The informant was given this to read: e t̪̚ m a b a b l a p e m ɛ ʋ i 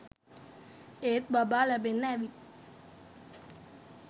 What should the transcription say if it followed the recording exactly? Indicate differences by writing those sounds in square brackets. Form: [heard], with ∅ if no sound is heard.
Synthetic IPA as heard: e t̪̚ [b] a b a [∅] l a [b] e [n] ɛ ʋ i

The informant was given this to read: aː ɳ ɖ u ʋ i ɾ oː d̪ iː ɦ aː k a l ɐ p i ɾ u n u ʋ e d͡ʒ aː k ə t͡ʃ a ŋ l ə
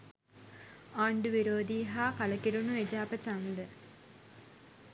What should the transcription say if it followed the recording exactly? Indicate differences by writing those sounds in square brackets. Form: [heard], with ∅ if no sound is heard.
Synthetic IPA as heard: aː ɳ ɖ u ʋ i ɾ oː d̪ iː ɦ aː k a l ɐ [k] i ɾ u n u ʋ e d͡ʒ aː [p] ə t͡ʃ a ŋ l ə

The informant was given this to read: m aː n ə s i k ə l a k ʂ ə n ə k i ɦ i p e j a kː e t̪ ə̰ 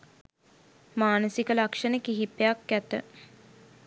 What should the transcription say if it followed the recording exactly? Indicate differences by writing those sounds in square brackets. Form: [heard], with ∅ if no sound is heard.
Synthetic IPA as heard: m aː n ə s i k ə l a k ʂ ə n ə k i ɦ i p e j a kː [æ] t̪ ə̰

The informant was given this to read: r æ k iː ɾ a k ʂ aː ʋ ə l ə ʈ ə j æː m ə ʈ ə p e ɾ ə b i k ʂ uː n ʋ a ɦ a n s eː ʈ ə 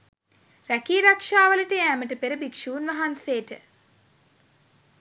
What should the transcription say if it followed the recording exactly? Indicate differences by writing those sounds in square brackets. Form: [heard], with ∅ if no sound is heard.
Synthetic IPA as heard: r æ k iː ɾ a k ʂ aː ʋ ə l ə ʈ ə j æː m ə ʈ ə p e ɾ ə b i k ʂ uː n ʋ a ɦ a n s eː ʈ ə

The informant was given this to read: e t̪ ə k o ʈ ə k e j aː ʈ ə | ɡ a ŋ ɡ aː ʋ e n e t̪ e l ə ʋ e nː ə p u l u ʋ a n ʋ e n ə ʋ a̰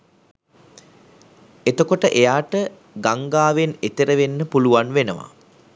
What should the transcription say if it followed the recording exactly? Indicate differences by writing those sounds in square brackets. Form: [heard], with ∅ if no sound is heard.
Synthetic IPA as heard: e t̪ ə k o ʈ ə [ʔ] e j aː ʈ ə | ɡ a ŋ ɡ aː ʋ e n e t̪ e [ɾ] ə ʋ e nː ə p u l u ʋ a n ʋ e n ə ʋ a̰

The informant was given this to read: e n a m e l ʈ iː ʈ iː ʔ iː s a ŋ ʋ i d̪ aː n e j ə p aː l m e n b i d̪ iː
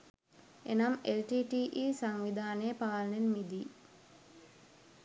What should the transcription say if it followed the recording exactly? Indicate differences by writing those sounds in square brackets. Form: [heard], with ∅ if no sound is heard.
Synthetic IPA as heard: e n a m e l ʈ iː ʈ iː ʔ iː s a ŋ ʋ i d̪ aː n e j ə p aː l [n] e n [m] i d̪ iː

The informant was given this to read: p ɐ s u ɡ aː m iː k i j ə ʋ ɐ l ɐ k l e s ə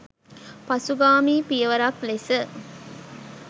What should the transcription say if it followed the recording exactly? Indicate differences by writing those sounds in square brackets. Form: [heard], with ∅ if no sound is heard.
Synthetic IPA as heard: p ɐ s u ɡ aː m iː [p] i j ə ʋ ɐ [ɾ] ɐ k l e s ə

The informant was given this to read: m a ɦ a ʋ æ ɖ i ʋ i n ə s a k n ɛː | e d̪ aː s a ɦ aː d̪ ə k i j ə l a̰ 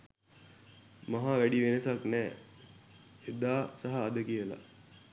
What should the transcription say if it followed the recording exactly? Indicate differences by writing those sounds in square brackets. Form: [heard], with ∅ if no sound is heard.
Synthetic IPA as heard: m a ɦ a ʋ æ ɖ i ʋ [e] n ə s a k n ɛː | e d̪ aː s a ɦ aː d̪ ə k i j ə l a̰

